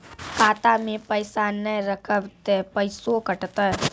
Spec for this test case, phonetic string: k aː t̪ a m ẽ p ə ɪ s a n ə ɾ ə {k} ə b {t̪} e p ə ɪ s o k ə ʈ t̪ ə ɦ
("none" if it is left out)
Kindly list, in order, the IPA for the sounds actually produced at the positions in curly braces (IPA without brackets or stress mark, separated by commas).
kʰ, t̪